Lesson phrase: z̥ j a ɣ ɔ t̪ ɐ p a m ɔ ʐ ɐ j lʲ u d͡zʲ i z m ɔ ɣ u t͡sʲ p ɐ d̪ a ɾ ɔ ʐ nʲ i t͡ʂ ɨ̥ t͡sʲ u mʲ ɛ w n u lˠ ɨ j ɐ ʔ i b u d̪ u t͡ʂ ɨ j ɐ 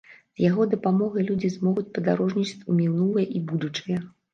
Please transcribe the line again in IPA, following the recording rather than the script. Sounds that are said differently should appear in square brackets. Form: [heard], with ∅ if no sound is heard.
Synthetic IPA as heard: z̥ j a ɣ ɔ [d̪] ɐ p a m ɔ [ɣ] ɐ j lʲ u d͡zʲ i z m ɔ ɣ u t͡sʲ p ɐ d̪ a ɾ ɔ ʐ nʲ i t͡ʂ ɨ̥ t͡sʲ u mʲ [i] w n u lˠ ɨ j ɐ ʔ i b u d̪ u t͡ʂ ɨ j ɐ

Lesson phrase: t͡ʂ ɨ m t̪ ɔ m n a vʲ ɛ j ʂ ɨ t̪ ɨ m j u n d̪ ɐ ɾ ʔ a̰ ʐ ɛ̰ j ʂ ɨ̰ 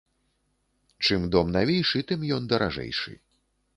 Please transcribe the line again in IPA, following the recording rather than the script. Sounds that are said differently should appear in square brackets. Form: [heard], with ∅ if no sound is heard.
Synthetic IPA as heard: t͡ʂ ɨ m [d̪] ɔ m n a vʲ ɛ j ʂ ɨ t̪ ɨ m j [ɔ] n d̪ ɐ ɾ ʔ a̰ ʐ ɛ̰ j ʂ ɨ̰

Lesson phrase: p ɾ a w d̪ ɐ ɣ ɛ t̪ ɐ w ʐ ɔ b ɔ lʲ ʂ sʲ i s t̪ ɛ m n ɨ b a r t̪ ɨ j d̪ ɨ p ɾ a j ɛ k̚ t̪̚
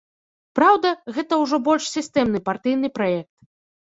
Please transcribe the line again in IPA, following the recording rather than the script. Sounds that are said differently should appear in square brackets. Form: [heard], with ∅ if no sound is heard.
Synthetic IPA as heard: p ɾ a w d̪ ɐ ɣ ɛ t̪ ɐ w ʐ ɔ b ɔ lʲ ʂ sʲ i s t̪ ɛ m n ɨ [p] a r t̪ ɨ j [n̪] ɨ p ɾ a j ɛ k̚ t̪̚

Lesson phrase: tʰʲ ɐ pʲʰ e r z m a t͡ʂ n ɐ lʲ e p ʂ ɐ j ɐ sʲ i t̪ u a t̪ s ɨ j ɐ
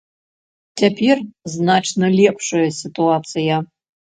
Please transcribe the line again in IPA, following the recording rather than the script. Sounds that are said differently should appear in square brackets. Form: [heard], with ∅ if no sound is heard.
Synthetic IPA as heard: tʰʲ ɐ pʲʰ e r z [n] a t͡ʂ n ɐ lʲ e p ʂ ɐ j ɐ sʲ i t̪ u a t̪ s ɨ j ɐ

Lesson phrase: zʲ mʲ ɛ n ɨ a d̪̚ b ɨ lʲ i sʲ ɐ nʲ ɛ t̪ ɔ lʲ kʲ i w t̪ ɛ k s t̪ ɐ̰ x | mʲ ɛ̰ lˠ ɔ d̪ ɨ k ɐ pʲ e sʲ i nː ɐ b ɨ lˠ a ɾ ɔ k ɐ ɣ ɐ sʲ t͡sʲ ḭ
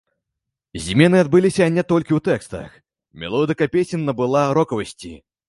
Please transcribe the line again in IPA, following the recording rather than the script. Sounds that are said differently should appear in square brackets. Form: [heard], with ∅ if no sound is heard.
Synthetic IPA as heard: zʲ mʲ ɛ n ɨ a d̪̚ b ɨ lʲ i sʲ ɐ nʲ ɛ t̪ ɔ lʲ kʲ i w t̪ ɛ k s t̪ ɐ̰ x | mʲ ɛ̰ lˠ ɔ d̪ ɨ k ɐ pʲ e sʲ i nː ɐ b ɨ lˠ a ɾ ɔ k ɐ [v] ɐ sʲ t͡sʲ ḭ

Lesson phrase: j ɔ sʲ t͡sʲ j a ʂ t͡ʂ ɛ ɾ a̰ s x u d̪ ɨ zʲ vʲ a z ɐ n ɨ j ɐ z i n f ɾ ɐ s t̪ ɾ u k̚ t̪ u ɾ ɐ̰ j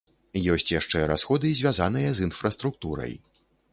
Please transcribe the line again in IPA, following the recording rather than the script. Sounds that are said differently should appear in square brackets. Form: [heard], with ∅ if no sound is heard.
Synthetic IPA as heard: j ɔ sʲ t͡sʲ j a ʂ t͡ʂ ɛ ɾ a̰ s x [ɔ] d̪ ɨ zʲ vʲ a z [a] n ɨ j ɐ z i n f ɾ ɐ s t̪ ɾ u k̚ t̪ u ɾ ɐ̰ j

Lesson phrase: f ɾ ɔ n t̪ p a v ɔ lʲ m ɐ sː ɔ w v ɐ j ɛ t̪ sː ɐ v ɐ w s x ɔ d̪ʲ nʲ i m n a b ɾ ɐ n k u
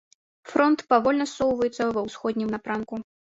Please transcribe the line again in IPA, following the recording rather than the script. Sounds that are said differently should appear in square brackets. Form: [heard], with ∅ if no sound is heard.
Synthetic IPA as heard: f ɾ ɔ n t̪ p a v ɔ lʲ [n] ɐ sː ɔ w v ɐ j ɛ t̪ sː ɐ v ɐ w s x ɔ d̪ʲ nʲ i m n a [p] ɾ [a] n k u

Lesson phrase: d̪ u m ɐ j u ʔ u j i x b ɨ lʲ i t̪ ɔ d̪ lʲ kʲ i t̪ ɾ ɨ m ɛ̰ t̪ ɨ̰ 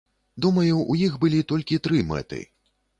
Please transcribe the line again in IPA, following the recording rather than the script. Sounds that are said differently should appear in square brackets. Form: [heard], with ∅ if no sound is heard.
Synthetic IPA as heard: d̪ u m ɐ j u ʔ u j i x b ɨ lʲ i t̪ ɔ [∅] lʲ kʲ i t̪ ɾ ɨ m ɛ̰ t̪ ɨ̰

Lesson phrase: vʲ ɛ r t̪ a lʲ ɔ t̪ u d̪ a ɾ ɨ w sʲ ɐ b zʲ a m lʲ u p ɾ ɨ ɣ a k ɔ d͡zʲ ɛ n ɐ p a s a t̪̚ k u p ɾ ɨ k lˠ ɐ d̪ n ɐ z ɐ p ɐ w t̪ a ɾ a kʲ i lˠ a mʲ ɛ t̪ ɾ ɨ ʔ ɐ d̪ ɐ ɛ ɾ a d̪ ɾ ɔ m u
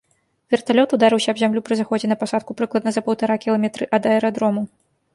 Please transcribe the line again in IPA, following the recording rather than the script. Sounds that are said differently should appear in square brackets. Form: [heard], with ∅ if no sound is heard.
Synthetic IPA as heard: vʲ ɛ r t̪ a lʲ ɔ t̪ u d̪ a ɾ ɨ w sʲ ɐ b zʲ a m lʲ u p ɾ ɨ [z] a [x] ɔ d͡zʲ ɛ n ɐ p a s a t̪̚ k u p ɾ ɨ k lˠ ɐ d̪ n ɐ z ɐ p ɐ w t̪ a ɾ a kʲ i lˠ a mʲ ɛ t̪ ɾ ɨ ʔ ɐ d̪ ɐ ɛ ɾ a d̪ ɾ ɔ m u

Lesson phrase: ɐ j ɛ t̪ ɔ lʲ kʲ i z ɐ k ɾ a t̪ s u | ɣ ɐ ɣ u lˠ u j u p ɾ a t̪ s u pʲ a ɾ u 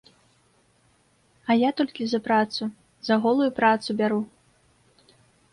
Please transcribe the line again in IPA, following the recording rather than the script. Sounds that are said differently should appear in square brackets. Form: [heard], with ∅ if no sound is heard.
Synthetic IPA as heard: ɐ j [a] t̪ ɔ lʲ kʲ i z ɐ [p] ɾ a t̪ s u | [z] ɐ ɣ [ɔ] lˠ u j u p ɾ a t̪ s u [bʲ] a ɾ u

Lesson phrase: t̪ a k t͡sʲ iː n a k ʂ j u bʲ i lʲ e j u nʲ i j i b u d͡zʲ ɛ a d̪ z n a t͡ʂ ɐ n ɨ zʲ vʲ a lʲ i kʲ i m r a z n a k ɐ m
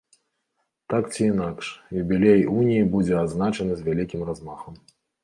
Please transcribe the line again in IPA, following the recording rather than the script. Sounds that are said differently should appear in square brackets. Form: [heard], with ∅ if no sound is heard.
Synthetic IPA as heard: t̪ a k t͡sʲ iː n a k ʂ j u bʲ i lʲ e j u nʲ i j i b u d͡zʲ ɛ a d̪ z n a t͡ʂ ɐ n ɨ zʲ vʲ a lʲ i kʲ i m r a z [m] a [x] ɐ m

